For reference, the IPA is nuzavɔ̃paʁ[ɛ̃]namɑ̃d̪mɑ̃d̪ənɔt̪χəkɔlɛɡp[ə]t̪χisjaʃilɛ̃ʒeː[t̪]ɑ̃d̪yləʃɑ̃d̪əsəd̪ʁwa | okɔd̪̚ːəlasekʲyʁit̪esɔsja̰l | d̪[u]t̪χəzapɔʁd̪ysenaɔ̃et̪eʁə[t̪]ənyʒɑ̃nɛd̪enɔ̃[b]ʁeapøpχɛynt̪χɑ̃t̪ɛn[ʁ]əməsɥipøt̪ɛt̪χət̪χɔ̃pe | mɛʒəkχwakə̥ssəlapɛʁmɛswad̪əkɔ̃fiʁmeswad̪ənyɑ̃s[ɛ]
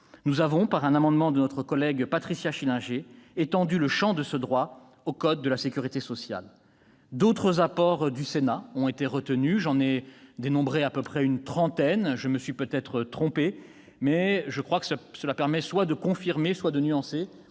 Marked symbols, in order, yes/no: yes, no, yes, no, yes, yes, no, no

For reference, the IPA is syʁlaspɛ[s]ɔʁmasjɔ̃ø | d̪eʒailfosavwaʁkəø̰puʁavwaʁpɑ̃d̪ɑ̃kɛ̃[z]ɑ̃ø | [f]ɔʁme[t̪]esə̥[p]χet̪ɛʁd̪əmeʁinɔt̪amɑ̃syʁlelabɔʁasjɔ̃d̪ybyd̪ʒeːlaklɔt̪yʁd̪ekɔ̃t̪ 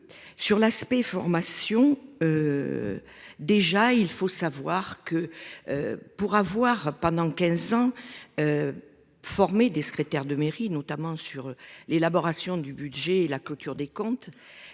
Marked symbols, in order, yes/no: no, yes, yes, no, no

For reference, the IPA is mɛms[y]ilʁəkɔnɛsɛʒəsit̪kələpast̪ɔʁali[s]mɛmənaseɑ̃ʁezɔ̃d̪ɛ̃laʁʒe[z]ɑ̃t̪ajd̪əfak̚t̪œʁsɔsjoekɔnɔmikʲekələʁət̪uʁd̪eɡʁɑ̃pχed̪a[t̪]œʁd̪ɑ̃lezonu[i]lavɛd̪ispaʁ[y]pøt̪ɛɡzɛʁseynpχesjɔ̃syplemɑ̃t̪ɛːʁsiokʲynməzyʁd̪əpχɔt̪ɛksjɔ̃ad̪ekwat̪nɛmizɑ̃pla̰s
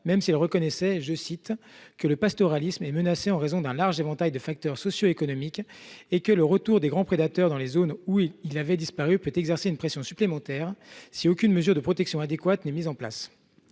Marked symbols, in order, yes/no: no, yes, no, yes, yes, yes

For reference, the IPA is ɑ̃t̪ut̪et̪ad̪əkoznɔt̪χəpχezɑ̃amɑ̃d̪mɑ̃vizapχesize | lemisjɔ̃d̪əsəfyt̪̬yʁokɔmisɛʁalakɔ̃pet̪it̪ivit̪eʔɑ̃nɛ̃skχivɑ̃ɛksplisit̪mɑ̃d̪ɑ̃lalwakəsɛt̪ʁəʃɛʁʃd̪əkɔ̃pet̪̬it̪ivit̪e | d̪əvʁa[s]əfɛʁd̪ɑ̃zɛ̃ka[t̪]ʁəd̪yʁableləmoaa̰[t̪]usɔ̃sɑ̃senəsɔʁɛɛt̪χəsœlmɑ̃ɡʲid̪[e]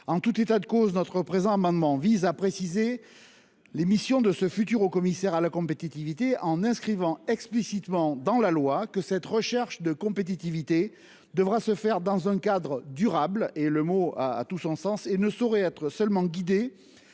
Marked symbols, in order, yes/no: yes, no, yes, yes

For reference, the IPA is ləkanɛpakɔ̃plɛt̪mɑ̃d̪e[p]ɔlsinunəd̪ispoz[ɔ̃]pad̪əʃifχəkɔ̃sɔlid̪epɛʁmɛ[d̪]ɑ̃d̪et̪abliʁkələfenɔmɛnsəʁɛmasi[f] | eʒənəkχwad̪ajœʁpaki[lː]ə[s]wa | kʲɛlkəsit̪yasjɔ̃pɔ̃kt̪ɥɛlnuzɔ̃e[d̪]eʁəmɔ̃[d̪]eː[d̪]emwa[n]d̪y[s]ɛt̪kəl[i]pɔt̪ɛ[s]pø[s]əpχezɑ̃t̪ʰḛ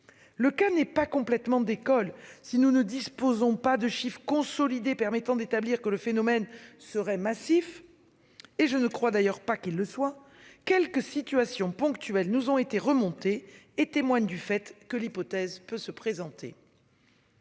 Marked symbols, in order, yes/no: no, yes, no, yes, yes, yes, no, no, no, no, no, yes, no, yes

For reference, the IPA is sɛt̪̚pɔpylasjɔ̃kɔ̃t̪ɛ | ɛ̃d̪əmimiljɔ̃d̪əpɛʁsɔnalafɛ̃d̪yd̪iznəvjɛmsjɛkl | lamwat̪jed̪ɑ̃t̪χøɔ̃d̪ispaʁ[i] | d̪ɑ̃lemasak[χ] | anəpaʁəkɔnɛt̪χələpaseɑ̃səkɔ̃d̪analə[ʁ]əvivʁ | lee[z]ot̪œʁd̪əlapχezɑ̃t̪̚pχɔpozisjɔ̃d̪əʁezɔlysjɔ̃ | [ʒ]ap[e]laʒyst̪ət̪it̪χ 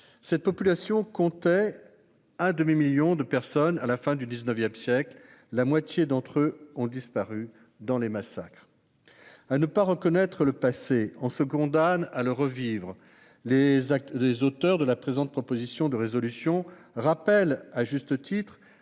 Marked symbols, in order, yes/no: no, yes, yes, yes, no, no

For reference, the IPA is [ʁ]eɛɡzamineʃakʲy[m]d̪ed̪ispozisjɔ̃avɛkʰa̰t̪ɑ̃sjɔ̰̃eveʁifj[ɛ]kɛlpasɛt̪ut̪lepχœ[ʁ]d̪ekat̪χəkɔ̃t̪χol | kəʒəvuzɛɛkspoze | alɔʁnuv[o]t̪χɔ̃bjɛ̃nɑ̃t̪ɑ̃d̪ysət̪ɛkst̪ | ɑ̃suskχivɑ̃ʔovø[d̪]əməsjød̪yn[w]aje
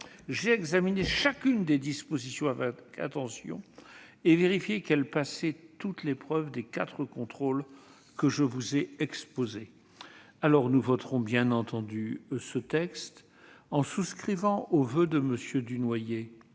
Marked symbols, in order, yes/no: no, no, no, no, no, yes, yes

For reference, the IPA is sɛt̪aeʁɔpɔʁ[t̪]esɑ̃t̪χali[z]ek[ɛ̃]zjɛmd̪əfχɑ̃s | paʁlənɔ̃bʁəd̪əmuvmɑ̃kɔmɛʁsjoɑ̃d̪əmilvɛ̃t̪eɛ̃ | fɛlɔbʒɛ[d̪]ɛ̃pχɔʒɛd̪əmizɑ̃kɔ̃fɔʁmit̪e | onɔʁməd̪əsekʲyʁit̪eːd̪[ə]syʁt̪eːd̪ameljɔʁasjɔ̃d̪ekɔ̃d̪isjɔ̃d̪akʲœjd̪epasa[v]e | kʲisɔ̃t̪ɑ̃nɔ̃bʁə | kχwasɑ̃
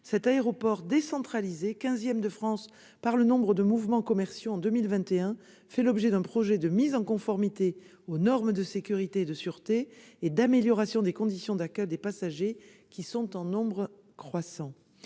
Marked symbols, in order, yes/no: no, yes, yes, yes, yes, no

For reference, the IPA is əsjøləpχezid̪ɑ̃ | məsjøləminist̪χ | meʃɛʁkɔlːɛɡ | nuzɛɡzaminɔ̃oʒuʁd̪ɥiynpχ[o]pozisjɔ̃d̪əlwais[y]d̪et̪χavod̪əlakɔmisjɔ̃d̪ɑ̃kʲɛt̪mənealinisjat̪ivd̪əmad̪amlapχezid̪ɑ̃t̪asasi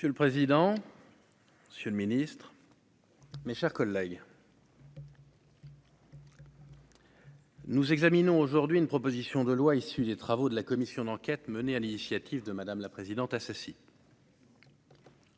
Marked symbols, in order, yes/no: no, yes

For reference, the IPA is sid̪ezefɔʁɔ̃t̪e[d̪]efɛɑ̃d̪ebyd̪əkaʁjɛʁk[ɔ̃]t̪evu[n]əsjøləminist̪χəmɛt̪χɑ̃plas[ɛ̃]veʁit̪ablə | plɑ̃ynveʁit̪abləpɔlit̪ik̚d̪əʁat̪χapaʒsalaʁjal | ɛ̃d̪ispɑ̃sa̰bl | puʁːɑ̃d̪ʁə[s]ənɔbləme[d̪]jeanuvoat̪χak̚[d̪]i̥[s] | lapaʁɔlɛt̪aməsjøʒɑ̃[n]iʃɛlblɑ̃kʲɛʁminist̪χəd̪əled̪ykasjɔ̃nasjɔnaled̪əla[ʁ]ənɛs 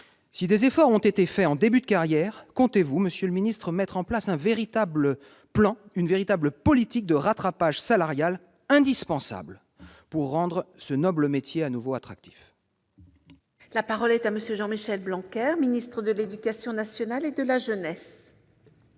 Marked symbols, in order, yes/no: no, yes, no, yes, yes, no, no, no, no, no

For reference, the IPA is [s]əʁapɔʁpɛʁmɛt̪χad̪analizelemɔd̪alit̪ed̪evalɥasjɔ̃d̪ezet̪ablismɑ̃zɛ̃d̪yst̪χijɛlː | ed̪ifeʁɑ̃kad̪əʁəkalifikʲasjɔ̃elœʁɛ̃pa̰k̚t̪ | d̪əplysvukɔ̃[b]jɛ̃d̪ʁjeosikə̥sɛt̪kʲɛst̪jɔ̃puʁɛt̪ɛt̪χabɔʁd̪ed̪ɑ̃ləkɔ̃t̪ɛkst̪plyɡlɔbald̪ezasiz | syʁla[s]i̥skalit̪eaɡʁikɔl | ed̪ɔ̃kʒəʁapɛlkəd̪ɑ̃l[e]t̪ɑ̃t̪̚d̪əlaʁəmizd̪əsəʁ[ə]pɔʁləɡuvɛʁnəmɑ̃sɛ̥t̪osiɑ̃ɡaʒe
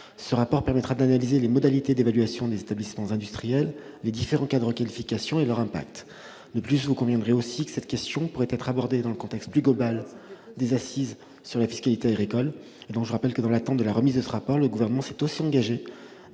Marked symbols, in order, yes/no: yes, no, no, no, no

